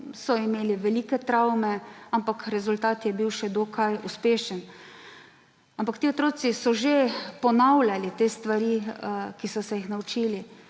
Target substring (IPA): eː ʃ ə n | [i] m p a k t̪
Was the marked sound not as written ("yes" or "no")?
yes